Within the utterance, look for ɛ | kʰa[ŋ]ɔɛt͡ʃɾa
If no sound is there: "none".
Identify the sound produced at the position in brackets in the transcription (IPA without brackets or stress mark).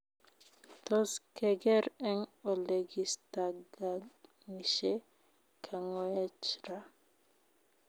ŋ